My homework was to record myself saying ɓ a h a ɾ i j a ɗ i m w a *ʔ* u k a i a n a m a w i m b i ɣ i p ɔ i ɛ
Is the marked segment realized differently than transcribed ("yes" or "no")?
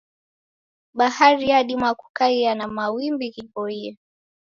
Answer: yes